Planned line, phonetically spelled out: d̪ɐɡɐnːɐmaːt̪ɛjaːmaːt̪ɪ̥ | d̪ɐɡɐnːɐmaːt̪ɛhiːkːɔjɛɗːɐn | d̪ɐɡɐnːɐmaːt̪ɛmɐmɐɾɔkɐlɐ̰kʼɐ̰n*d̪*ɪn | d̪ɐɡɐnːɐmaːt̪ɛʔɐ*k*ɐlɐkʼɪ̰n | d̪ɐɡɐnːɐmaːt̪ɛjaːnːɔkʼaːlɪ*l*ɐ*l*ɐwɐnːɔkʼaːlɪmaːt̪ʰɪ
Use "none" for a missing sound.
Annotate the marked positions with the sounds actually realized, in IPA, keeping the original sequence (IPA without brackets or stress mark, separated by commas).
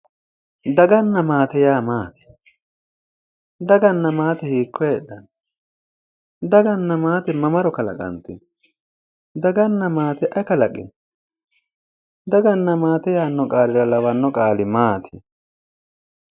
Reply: t̪, k, ɾ, l